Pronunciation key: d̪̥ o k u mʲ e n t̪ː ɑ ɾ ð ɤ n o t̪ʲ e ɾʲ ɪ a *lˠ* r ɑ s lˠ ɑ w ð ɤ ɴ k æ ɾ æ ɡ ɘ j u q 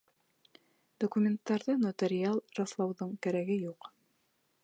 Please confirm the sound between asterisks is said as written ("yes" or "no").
yes